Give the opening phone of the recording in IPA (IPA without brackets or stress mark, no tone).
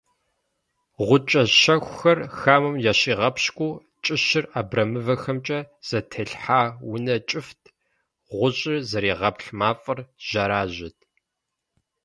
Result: ʁʷ